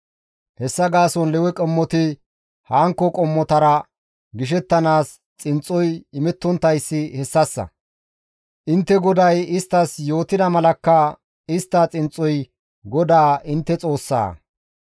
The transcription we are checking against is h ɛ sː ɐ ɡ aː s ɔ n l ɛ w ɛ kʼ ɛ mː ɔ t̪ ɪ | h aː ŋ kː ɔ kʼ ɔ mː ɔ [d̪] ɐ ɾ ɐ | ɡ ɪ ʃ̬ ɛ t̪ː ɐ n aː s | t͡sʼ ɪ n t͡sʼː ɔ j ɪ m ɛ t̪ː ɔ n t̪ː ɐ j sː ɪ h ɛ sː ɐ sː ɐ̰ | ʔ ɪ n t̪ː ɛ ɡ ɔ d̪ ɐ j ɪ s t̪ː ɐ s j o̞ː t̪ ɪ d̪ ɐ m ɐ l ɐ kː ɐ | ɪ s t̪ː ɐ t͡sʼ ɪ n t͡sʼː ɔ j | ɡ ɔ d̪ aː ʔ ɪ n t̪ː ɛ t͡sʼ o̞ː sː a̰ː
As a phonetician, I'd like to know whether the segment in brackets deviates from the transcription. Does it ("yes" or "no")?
yes